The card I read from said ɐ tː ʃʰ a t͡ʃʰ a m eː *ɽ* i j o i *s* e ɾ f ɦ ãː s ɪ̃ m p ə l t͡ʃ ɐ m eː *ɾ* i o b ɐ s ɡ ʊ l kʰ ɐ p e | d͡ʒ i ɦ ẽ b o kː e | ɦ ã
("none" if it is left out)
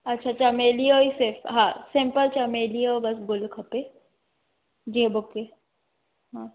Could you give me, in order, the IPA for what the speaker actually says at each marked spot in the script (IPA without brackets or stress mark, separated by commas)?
l, s, l